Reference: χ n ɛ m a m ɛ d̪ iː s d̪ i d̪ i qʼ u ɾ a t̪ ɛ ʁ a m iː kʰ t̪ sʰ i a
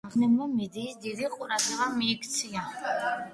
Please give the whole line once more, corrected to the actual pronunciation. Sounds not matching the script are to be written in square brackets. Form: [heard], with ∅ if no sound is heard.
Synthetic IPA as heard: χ n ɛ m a m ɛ d̪ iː s d̪ i d̪ i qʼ u ɾ a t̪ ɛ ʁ a m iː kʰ t̪ sʰ i a